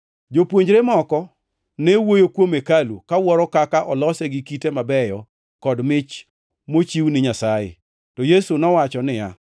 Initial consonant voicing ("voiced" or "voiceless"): voiced